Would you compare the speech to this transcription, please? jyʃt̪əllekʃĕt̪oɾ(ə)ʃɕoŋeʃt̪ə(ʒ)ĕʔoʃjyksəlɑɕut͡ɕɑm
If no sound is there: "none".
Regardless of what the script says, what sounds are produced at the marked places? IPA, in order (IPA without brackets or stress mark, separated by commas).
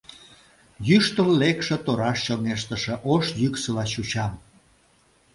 ɑ, ʃ